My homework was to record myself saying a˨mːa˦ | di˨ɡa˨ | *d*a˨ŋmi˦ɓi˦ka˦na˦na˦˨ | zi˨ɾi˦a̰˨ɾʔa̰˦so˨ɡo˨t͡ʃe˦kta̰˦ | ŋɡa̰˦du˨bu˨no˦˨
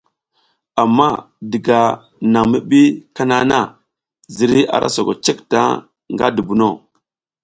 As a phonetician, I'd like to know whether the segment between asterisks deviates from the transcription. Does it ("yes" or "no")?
yes